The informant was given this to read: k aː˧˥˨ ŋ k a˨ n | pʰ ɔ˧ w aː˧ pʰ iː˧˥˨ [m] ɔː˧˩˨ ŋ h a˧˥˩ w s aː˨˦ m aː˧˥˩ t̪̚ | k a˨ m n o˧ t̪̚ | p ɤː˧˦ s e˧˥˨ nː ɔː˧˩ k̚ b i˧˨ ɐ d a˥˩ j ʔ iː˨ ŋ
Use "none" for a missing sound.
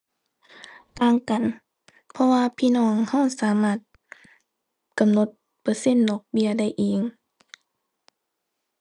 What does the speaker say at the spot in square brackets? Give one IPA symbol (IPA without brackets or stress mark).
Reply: n